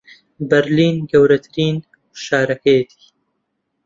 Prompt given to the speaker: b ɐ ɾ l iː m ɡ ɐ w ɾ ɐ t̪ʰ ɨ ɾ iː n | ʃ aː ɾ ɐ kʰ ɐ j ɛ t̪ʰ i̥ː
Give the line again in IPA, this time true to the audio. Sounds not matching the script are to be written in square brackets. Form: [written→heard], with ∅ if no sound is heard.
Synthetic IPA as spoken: b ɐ ɾ l iː [m→n] ɡ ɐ w ɾ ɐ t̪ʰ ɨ ɾ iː n | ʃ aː ɾ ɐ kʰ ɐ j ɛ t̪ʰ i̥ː